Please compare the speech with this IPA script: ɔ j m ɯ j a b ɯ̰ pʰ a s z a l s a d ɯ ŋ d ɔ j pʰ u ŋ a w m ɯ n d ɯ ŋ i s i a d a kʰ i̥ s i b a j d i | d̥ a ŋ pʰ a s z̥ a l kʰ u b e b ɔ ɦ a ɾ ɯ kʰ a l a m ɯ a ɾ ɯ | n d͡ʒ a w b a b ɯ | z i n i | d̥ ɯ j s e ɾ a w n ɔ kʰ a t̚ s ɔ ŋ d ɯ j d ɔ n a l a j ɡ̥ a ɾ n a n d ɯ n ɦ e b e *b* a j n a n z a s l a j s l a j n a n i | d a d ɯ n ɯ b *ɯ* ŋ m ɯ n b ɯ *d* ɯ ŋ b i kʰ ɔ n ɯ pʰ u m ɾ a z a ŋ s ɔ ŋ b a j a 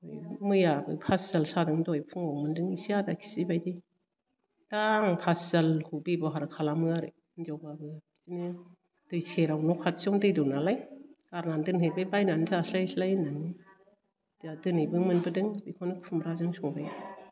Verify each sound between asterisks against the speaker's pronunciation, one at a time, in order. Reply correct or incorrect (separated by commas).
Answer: correct, correct, correct